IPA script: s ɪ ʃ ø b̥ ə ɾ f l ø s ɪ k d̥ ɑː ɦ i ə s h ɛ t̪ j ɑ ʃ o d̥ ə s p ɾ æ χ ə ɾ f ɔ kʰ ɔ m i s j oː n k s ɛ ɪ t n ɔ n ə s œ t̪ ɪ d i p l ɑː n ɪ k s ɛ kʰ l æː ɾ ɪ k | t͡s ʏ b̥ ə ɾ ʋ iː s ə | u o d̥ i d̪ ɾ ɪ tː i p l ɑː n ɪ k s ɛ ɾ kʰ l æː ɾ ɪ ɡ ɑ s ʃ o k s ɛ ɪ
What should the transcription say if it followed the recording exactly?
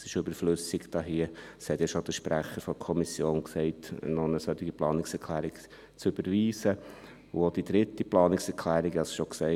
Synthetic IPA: s ɪ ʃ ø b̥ ə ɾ f l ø s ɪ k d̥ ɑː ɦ i ə s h ɛ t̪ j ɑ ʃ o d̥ ə ʃ p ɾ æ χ ə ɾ f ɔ kʰ ɔ m i s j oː n k s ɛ ɪ t n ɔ n ə s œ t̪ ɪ ɡ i p l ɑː n ɪ k s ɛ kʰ l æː ɾ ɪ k | t͡s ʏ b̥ ə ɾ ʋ iː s ə | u o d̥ i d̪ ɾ ɪ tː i p l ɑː n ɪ k s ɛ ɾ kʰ l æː ɾ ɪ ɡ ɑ s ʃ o k s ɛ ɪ